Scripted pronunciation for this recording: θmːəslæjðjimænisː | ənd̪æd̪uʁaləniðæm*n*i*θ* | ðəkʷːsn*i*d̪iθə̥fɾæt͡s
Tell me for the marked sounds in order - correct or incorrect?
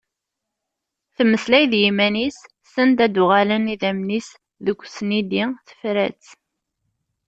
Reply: correct, incorrect, correct

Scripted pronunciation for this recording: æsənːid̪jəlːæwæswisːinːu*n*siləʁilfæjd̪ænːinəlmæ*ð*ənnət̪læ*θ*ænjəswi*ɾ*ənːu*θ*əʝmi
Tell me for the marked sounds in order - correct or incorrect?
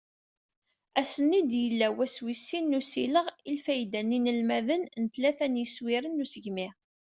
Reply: incorrect, correct, correct, correct, incorrect

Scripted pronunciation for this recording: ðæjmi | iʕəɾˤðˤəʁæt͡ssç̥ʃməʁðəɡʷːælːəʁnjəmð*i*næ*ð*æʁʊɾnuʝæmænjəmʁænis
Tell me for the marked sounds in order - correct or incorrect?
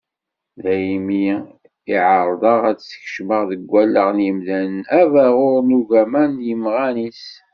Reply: incorrect, incorrect

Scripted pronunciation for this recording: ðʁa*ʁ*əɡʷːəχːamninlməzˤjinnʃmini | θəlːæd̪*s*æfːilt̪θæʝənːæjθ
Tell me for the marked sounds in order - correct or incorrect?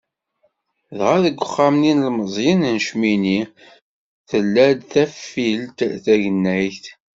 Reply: incorrect, incorrect

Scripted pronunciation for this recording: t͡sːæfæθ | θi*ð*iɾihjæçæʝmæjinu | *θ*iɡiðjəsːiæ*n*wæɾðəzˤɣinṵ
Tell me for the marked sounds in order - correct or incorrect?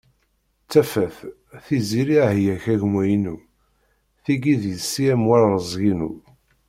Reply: incorrect, correct, incorrect

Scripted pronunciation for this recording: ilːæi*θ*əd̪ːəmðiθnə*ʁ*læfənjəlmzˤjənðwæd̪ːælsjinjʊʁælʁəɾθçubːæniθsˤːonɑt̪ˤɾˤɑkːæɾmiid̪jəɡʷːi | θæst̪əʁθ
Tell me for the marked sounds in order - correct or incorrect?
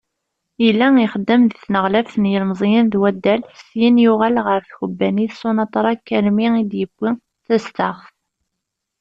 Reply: incorrect, correct

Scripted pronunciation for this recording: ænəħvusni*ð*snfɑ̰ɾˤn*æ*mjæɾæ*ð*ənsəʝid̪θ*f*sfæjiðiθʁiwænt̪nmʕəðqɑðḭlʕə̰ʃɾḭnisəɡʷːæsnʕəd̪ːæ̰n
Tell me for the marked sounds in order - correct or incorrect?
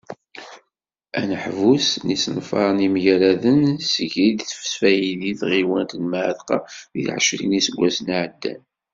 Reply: incorrect, incorrect, correct, correct

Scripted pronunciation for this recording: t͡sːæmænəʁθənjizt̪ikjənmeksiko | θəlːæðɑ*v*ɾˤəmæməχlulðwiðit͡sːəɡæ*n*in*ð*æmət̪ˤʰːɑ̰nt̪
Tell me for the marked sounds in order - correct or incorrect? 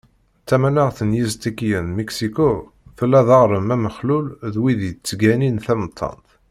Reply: incorrect, correct, incorrect

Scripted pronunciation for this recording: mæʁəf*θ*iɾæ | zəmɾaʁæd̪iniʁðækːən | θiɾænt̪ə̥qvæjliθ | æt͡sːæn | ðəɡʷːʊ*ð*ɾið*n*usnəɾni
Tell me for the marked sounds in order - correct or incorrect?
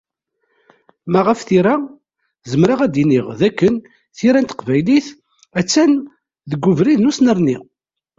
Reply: correct, incorrect, correct

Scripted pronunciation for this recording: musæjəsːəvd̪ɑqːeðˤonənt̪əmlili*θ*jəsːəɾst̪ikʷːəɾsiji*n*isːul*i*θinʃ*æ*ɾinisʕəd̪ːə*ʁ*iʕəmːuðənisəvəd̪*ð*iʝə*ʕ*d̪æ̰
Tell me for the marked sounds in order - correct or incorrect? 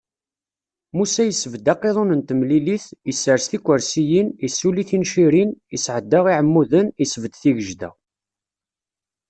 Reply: correct, correct, correct, incorrect, correct, incorrect, incorrect

